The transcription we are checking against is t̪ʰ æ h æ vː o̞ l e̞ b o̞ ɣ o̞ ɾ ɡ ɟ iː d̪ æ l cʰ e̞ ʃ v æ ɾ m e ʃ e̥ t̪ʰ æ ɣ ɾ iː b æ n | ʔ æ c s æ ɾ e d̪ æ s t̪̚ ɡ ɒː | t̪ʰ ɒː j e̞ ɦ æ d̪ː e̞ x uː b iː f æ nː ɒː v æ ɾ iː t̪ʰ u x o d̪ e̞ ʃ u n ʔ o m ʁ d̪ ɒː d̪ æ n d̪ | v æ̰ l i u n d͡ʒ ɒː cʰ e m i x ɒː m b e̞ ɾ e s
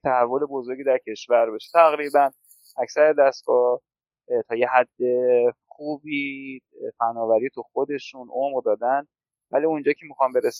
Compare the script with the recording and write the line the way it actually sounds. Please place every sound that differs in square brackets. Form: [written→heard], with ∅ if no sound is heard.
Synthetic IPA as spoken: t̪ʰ æ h æ vː o̞ l e̞ b o̞ [ɣ→z] o̞ ɾ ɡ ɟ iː d̪ æ [l→ɾ] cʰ e̞ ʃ v æ ɾ [m→b] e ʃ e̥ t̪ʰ æ ɣ ɾ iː b æ n | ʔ æ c s æ ɾ e d̪ æ s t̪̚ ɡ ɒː | t̪ʰ ɒː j e̞ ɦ æ d̪ː e̞ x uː b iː f æ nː ɒː v æ ɾ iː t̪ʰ u x o d̪ e̞ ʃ u n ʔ o m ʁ d̪ ɒː d̪ æ n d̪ | v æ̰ l i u n d͡ʒ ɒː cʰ e m i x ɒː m b e̞ ɾ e s